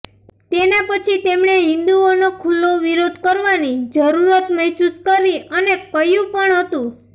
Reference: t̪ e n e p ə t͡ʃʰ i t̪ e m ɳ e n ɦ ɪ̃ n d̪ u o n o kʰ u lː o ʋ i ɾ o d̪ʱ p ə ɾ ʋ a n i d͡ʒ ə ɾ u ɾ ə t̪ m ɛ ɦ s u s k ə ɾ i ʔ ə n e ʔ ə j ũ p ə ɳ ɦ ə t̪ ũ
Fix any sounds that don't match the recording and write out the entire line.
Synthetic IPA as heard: t̪ e n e p ə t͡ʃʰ i t̪ e m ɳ e ɦ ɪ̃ n d̪ u o n o kʰ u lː o ʋ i ɾ o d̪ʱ k ə ɾ ʋ a n i d͡ʒ ə ɾ u ɾ ə t̪ m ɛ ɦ s u s k ə ɾ i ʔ ə n e k ə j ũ p ə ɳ ɦ ə t̪ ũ